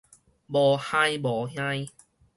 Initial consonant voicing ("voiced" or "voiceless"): voiced